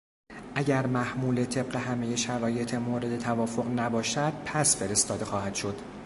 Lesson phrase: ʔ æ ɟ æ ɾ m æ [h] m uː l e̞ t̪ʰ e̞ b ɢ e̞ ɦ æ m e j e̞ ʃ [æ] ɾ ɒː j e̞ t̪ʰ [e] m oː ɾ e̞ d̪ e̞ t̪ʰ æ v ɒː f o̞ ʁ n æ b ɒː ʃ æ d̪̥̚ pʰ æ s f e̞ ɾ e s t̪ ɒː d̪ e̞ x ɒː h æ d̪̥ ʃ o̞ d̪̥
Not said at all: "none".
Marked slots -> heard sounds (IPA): h, æ, e

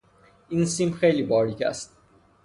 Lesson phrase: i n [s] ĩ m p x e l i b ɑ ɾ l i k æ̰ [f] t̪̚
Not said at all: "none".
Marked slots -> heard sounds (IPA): s, s

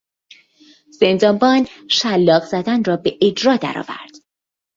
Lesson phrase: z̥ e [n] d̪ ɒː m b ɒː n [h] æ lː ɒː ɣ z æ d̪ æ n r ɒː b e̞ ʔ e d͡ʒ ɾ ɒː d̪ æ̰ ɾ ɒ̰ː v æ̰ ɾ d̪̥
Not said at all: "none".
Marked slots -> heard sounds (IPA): n, ʃ

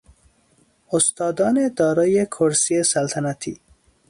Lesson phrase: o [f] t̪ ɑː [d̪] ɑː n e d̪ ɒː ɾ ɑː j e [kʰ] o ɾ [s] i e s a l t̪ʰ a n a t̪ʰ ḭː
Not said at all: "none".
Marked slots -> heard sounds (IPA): s, d̪, kʰ, s

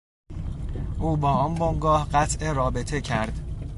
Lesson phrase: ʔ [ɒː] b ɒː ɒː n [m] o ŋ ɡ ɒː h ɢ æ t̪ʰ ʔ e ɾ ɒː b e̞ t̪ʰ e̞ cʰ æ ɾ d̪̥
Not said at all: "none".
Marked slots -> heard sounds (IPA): uː, b

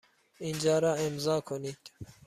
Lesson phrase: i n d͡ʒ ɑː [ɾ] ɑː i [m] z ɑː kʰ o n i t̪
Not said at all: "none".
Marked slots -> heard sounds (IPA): ɾ, m

